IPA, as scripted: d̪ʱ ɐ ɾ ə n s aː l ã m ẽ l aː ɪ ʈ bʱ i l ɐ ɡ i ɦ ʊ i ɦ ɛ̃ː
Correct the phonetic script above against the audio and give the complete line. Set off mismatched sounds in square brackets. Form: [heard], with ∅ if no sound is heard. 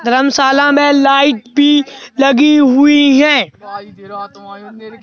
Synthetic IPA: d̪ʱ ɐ ɾ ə [m] s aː l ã m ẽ l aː ɪ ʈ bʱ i l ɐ ɡ i ɦ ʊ i ɦ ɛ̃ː